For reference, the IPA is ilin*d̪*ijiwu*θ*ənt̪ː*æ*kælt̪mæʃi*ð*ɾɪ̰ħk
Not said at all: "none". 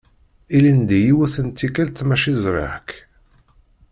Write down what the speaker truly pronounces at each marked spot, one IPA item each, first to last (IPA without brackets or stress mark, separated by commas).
d̪, θ, i, z